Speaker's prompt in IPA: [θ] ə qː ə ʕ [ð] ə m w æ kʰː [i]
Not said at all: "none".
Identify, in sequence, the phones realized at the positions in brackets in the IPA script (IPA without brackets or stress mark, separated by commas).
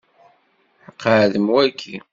ħ, ð, i